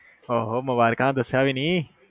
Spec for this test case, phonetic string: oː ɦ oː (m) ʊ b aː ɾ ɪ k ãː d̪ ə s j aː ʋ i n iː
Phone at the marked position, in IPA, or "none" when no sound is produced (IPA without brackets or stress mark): m